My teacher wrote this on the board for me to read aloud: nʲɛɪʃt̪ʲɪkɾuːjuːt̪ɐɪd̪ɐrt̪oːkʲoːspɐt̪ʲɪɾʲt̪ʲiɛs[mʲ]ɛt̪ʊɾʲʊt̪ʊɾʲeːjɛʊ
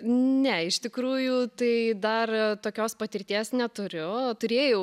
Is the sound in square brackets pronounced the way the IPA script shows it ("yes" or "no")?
no